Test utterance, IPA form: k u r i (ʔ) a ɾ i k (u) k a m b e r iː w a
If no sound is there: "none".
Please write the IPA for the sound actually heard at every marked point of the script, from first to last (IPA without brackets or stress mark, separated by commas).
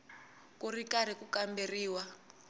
k, u